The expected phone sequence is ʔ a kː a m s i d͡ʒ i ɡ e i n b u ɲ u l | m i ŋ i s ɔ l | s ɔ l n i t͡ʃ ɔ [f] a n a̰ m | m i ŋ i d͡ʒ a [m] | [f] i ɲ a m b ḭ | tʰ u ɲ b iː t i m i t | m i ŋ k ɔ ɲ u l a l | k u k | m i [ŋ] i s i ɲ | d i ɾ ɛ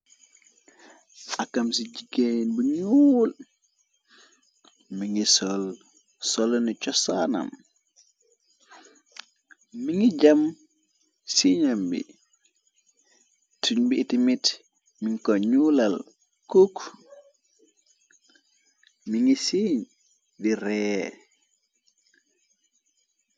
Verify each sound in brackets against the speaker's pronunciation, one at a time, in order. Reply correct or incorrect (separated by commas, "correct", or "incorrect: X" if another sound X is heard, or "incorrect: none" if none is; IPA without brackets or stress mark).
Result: incorrect: s, correct, incorrect: s, correct